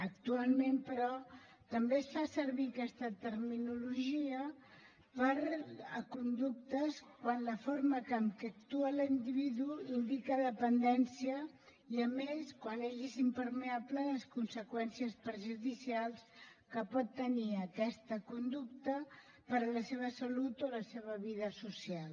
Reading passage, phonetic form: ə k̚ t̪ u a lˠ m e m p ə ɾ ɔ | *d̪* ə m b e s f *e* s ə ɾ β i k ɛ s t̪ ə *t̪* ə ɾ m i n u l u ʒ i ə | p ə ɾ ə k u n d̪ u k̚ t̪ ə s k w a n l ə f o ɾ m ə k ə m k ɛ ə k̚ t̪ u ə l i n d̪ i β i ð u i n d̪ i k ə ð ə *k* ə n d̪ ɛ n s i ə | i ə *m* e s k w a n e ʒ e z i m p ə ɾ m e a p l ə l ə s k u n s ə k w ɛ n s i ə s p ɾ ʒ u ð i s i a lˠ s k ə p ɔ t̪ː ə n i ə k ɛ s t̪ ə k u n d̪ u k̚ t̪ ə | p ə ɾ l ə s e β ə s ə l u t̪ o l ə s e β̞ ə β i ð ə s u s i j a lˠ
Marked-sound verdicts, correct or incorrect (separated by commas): incorrect, incorrect, correct, incorrect, correct